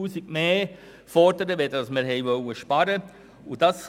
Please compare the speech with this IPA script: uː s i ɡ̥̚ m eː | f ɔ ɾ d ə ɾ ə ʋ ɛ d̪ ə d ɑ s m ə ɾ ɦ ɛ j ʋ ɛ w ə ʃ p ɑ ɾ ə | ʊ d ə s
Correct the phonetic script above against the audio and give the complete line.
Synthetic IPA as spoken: uː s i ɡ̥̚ m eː | f ɔ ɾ d ə ɾ ə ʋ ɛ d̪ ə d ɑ s m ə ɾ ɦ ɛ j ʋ œ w ə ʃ p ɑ ɾ ə | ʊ d ɑ s